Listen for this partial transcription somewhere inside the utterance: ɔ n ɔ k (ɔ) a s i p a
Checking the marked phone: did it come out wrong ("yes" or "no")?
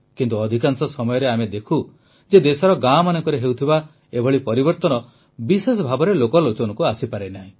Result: yes